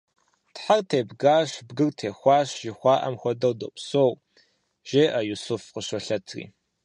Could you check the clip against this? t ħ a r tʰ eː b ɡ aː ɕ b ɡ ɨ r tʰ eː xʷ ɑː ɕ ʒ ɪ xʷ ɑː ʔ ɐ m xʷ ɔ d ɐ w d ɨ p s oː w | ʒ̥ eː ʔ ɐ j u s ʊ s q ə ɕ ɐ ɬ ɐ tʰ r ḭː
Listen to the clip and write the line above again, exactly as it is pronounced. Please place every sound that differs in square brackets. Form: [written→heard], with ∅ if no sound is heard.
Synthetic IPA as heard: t ħ a r tʰ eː b ɡ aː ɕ b ɡ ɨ r tʰ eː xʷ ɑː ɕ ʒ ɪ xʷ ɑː ʔ ɐ m xʷ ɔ d ɐ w d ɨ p s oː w | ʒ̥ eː ʔ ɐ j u s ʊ [s→f] q ə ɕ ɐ ɬ ɐ tʰ r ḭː